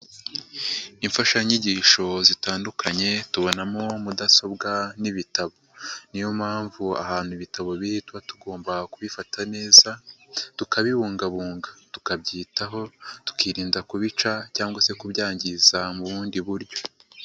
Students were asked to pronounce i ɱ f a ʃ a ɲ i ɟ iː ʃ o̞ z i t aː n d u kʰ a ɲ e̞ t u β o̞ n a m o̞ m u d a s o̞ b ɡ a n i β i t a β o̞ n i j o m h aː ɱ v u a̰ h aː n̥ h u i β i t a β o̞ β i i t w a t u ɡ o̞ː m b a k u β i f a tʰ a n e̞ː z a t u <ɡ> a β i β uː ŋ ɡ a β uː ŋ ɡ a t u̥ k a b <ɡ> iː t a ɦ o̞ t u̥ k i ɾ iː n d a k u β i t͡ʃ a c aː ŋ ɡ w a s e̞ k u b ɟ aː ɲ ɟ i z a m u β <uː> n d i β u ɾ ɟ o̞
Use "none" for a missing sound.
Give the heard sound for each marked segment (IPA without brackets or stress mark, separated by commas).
k, ɟ, uː